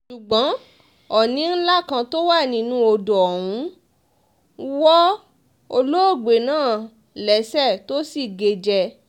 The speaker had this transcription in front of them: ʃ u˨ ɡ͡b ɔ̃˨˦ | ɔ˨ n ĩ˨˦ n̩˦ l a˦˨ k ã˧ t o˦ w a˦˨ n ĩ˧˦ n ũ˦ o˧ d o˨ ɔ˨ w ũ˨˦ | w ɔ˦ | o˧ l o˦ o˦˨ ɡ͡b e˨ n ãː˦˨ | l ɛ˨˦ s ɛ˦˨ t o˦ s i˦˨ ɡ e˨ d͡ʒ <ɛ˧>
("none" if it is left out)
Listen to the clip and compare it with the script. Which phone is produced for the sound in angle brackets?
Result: ɛ˧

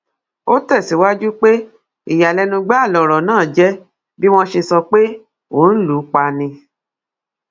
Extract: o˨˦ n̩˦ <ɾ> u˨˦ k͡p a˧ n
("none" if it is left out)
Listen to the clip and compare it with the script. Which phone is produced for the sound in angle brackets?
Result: l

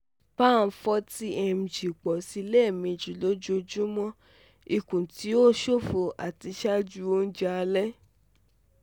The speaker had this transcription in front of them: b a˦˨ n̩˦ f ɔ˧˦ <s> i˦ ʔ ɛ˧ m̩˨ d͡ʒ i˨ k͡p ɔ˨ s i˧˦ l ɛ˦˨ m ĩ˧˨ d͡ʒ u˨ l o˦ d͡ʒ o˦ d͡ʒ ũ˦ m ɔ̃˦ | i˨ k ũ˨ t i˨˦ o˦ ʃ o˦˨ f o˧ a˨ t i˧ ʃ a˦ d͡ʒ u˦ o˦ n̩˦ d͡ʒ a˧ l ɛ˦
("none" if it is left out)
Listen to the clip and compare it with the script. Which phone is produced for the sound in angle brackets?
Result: t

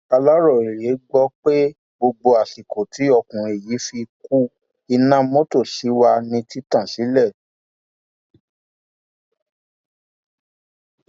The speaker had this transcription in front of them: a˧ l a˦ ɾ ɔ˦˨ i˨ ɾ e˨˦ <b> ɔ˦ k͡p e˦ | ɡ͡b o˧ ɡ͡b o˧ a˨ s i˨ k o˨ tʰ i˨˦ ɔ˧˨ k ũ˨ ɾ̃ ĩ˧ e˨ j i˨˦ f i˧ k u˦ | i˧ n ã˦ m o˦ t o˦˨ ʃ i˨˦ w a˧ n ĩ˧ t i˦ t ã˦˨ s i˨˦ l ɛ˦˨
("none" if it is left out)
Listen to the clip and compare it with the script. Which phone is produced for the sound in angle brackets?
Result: ɡ͡b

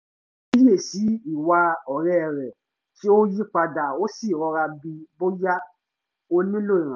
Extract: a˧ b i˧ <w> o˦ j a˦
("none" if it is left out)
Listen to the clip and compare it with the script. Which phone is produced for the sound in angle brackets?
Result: b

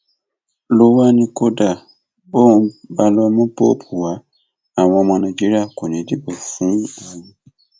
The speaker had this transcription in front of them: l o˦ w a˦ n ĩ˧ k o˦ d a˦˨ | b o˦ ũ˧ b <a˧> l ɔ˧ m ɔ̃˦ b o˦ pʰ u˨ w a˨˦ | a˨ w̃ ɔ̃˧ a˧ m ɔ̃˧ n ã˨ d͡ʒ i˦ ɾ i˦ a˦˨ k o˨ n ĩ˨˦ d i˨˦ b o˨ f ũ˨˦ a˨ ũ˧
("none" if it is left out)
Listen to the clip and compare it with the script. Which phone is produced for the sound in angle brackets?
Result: a˧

